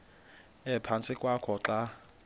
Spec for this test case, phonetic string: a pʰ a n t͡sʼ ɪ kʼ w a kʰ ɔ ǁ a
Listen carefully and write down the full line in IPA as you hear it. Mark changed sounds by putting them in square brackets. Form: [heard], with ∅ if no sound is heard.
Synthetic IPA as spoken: [ɛ] pʰ a n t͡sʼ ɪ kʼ w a kʰ ɔ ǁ a